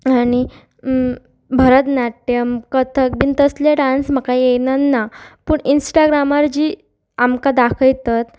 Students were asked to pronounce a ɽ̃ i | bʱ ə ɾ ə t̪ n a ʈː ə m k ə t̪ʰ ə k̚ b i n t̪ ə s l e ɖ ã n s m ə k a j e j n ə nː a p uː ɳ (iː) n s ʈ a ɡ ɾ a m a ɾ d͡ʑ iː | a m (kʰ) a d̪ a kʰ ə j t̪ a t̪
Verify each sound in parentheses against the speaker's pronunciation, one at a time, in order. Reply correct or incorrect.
incorrect, incorrect

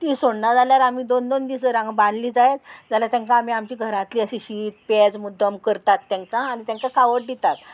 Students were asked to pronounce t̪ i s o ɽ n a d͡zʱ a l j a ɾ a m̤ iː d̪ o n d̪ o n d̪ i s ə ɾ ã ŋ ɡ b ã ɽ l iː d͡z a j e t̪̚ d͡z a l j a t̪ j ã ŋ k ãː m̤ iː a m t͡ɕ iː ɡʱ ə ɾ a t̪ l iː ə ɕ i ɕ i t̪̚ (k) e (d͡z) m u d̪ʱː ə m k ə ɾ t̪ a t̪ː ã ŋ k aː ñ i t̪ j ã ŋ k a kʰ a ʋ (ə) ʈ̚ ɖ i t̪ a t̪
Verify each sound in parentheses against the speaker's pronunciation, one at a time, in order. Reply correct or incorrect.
incorrect, correct, correct

